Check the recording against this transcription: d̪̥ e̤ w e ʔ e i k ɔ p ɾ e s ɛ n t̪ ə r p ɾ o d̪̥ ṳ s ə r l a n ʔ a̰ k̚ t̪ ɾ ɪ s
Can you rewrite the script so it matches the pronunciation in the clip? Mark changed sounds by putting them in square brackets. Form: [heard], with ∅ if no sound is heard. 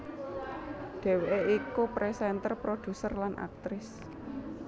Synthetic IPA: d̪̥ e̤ w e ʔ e i k [u] p ɾ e s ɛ n t̪ ə r p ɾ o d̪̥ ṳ s ə r l a n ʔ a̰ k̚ t̪ ɾ ɪ s

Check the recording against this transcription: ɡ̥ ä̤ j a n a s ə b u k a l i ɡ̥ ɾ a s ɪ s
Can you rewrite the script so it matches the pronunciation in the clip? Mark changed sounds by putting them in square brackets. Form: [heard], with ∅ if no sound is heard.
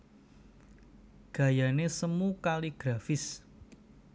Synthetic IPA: ɡ̥ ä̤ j a n [e] s ə [m] u k a l i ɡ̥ ɾ a [f] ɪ s

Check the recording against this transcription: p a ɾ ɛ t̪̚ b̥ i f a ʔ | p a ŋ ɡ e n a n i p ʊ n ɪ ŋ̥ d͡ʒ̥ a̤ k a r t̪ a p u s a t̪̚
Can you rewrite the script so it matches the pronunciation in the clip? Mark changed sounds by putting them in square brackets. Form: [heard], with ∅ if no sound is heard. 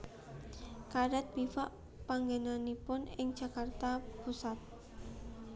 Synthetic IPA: [k] a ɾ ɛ t̪̚ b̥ i f a ʔ | p a ŋ ɡ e n a n i p ʊ n ɪ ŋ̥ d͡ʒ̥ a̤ k a r t̪ a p u s a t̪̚

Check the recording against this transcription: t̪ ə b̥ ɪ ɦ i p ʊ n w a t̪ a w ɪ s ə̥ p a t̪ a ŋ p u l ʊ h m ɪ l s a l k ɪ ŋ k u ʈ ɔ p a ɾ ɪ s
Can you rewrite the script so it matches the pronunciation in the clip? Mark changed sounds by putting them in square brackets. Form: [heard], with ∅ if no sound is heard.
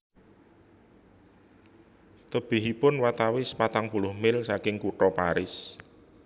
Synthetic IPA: t̪ ə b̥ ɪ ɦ i p ʊ n w a t̪ a w ɪ s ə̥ p a t̪ a ŋ p u l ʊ h m ɪ l s a [∅] k ɪ ŋ k u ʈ ɔ p a ɾ ɪ s

